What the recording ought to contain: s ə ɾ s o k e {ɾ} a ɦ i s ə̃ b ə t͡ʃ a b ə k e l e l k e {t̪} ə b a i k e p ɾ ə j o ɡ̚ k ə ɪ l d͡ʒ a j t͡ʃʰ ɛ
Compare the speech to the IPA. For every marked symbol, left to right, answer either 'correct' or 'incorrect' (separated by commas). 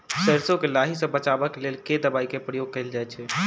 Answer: incorrect, incorrect